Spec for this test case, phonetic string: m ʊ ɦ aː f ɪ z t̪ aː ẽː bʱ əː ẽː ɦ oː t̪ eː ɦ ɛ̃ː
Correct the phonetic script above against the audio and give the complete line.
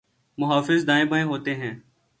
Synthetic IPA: m ʊ ɦ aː f ɪ z d̪ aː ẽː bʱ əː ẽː ɦ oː t̪ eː ɦ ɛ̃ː

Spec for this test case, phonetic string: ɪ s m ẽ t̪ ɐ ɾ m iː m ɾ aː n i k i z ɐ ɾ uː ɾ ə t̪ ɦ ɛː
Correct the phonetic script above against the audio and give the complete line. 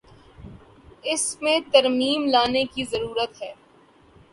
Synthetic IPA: ɪ s m ẽ t̪ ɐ ɾ m iː m l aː n e k i z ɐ ɾ uː ɾ ə t̪ ɦ ɛː

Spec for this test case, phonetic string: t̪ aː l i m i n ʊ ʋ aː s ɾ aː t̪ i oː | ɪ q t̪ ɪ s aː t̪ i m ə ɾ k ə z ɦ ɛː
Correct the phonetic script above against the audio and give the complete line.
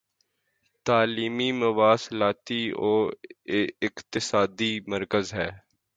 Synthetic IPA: t̪ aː l iː m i m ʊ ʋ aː s l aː t̪ i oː | ɪ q t̪ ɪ s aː d̪ i m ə ɾ k ə z ɦ ɛː

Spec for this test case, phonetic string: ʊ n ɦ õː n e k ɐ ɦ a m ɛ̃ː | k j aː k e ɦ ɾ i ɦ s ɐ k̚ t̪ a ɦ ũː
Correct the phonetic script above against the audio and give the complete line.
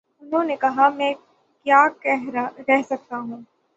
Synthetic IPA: ʊ n ɦ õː n e k ɐ ɦ a m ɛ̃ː | k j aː k ɛ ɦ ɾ ɛ ɦ s ɐ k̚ t̪ a ɦ ũː

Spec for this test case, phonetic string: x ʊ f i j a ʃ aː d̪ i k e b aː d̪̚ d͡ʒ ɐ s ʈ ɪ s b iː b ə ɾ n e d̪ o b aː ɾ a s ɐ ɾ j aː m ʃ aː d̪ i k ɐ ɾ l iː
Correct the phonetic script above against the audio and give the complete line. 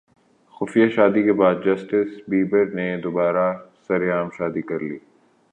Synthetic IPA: x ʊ f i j a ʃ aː d̪ i k e b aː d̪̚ d͡ʒ ɐ s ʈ ɪ s b iː b ə ɾ n e d̪ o b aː ɾ a s ɐ ɾ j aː m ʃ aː d̪ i k ɐ ɾ l iː

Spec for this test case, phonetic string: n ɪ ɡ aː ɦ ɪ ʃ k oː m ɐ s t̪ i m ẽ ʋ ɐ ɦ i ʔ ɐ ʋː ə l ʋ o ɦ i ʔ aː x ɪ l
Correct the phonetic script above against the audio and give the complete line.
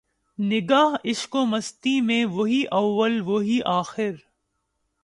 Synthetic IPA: n ɪ ɡ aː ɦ ɪ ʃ k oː m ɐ s t̪ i m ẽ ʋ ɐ ɦ i ʔ ɐ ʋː ə l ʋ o ɦ i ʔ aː x ɪ ɾ

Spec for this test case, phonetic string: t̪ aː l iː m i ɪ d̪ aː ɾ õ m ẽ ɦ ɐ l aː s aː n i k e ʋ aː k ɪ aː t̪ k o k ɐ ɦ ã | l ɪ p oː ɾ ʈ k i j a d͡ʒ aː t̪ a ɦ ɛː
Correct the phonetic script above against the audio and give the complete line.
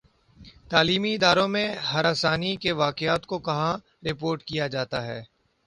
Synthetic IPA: t̪ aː l iː m i ɪ d̪ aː ɾ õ m ẽ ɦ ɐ ɾ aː s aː n i k e ʋ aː k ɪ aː t̪ k o k ɐ ɦ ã | ɾ ɪ p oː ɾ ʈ k i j a d͡ʒ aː t̪ a ɦ ɛː

